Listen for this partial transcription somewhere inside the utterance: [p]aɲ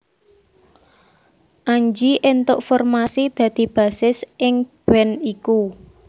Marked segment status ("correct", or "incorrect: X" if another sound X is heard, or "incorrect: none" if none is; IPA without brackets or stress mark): incorrect: ʔ